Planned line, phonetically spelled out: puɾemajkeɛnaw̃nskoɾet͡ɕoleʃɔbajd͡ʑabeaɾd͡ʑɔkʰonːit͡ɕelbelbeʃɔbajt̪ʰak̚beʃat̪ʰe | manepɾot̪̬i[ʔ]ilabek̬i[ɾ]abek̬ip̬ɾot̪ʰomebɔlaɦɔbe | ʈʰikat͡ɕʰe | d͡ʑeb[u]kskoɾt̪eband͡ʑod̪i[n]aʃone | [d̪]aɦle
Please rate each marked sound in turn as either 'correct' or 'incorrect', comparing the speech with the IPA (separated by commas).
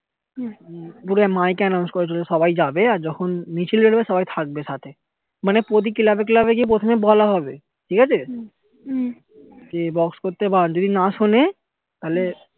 incorrect, incorrect, incorrect, correct, incorrect